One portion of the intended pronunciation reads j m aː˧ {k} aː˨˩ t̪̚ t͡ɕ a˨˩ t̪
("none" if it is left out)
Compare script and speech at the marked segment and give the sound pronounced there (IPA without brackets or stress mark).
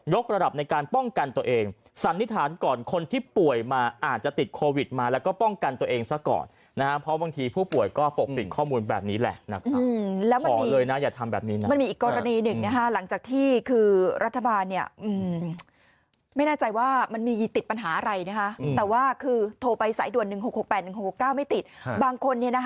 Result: ʔ